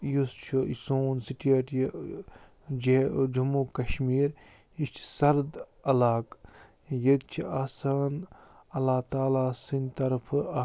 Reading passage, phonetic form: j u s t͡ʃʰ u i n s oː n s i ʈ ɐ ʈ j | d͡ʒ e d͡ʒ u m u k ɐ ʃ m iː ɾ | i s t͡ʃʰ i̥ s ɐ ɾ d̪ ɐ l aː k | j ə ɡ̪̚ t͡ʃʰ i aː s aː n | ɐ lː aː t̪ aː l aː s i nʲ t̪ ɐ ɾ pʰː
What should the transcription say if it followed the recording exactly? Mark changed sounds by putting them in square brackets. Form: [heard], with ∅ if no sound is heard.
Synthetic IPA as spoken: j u s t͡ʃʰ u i [∅] s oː n s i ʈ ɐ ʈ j | d͡ʒ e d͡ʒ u m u k ɐ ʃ m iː ɾ | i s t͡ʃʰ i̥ s ɐ ɾ d̪ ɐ l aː k | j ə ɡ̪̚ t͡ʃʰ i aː s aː n | ɐ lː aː t̪ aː l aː s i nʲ t̪ ɐ ɾ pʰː